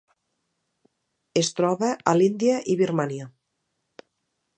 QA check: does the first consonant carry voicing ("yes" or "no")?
no